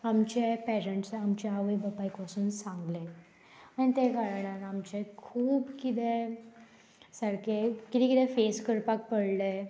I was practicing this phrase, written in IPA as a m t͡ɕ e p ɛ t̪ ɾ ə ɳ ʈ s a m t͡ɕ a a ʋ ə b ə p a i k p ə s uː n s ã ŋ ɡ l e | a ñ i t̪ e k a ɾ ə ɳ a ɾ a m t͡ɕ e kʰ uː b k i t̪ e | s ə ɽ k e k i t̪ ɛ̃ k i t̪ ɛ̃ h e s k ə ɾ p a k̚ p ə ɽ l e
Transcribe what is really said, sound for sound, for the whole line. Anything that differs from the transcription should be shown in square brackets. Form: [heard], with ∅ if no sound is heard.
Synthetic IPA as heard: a m t͡ɕ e p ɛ [∅] ɾ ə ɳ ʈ s a m t͡ɕ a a ʋ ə b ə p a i k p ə s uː n s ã ŋ ɡ l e | a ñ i t̪ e k a ɾ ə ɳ a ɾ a m t͡ɕ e kʰ uː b k i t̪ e | s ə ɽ k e k i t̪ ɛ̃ k i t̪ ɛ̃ [f] e s k ə ɾ p a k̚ p ə ɽ l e